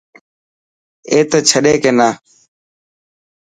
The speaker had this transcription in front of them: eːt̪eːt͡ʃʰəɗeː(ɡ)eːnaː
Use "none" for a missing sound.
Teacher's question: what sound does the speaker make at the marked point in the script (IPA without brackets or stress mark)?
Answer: k